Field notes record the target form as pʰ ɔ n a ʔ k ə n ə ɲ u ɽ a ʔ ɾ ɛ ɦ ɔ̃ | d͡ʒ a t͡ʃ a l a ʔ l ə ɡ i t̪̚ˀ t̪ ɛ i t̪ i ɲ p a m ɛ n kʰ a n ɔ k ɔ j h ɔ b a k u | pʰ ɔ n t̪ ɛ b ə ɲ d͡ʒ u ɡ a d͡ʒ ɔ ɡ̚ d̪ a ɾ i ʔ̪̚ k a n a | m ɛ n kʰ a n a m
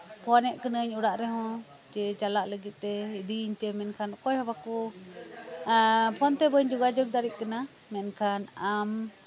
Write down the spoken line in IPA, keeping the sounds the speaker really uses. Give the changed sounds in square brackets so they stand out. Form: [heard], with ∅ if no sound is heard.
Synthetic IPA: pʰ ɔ n [ɛ] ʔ k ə n ə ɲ u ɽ a ʔ ɾ ɛ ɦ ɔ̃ | d͡ʒ [ɛ] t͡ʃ a l a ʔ l ə ɡ i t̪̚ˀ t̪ ɛ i [d̪] i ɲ p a m ɛ n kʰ a n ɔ k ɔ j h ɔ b a k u | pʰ ɔ n t̪ ɛ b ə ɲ d͡ʒ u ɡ a d͡ʒ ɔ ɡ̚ d̪ a ɾ i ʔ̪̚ k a n a | m ɛ n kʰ a n a m